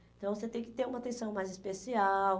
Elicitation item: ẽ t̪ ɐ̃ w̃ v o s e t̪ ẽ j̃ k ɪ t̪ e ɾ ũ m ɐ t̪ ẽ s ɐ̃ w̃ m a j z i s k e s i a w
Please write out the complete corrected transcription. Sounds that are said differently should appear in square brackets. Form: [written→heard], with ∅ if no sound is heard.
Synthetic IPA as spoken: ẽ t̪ ɐ̃ w̃ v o s e t̪ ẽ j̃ k ɪ t̪ e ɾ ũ m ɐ t̪ ẽ s ɐ̃ w̃ m a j z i s [k→p] e s i a w